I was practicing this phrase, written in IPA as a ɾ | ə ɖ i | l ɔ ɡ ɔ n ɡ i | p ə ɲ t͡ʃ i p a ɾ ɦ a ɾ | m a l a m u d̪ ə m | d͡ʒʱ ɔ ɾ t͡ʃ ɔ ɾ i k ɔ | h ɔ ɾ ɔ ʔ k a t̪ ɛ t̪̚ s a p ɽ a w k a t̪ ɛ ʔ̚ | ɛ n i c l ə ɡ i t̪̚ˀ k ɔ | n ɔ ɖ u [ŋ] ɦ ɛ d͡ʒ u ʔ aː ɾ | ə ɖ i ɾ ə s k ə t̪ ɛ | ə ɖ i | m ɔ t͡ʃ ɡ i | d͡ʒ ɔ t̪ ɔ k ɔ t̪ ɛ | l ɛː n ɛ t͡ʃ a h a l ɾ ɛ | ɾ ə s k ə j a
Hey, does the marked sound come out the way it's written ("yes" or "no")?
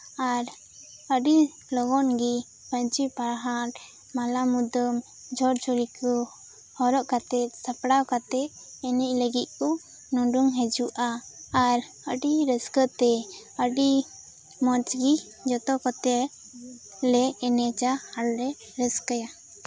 yes